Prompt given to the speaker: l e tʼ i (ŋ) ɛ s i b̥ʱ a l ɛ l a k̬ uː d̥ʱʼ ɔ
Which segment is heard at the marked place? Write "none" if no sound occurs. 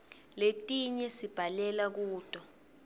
ɲ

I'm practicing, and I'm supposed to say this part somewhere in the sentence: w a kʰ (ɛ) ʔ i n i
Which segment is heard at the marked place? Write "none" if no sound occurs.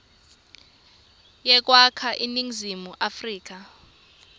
a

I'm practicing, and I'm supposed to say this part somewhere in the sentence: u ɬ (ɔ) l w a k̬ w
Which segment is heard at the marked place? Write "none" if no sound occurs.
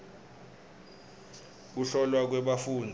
ɔ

